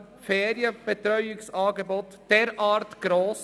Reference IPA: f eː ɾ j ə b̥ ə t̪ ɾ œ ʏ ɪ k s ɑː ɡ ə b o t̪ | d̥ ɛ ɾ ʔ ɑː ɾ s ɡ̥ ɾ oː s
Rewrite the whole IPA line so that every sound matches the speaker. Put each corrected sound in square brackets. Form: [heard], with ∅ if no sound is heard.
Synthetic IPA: f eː ɾ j ə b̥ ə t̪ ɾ œ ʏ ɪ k s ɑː ɡ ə b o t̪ | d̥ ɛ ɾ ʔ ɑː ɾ [t] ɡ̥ ɾ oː s